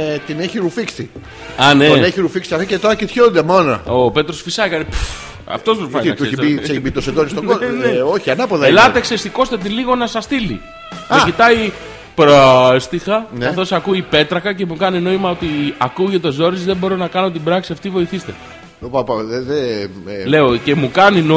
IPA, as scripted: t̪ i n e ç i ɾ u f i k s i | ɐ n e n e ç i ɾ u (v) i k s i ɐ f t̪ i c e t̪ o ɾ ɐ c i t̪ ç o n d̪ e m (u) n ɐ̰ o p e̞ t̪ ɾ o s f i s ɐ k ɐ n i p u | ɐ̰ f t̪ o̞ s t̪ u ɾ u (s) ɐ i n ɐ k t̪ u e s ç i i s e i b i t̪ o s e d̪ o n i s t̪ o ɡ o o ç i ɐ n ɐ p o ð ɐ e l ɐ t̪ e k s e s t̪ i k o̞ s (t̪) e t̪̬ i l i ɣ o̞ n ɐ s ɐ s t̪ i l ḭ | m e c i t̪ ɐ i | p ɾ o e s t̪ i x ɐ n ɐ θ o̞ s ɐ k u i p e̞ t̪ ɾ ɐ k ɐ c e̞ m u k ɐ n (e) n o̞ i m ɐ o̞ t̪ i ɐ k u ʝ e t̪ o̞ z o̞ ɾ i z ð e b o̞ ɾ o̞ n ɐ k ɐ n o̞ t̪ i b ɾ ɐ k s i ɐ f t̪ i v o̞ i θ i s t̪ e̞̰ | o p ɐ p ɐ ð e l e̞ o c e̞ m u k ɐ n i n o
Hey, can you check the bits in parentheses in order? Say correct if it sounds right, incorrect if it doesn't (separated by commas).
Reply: incorrect, incorrect, incorrect, correct, incorrect